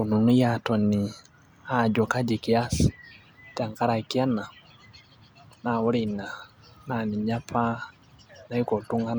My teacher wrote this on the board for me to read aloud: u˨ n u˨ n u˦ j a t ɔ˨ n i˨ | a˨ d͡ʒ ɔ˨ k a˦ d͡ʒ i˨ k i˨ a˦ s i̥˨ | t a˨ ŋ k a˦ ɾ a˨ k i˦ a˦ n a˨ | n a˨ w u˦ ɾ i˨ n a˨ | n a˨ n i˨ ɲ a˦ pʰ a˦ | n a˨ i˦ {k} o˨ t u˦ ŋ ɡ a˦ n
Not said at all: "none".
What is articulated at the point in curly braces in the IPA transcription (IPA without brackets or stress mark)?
k